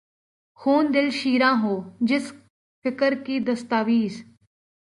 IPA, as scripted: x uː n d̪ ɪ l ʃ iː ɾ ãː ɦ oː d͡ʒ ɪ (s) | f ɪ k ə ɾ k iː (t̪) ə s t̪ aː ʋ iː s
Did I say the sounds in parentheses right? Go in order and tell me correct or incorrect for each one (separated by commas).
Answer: correct, incorrect